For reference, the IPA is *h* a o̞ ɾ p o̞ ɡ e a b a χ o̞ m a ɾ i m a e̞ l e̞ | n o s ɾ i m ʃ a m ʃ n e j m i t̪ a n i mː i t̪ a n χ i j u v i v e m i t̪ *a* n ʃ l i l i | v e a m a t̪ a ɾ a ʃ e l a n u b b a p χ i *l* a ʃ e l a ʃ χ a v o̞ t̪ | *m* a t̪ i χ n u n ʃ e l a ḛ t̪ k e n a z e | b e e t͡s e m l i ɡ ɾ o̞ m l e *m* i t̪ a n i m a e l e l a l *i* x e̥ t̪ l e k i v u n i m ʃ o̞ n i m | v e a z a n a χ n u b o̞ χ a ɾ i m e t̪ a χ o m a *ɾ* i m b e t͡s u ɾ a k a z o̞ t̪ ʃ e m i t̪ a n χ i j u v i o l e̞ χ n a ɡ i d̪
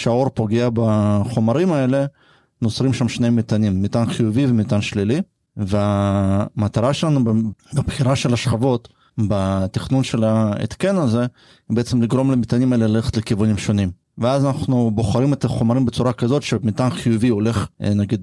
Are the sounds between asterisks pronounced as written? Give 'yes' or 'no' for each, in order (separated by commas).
no, yes, no, no, yes, no, yes